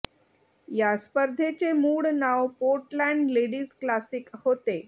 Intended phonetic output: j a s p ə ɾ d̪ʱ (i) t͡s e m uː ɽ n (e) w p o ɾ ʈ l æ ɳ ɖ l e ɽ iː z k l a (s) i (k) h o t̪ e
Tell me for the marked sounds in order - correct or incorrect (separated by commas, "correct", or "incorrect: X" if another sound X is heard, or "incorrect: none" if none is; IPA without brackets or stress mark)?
incorrect: e, incorrect: a, correct, correct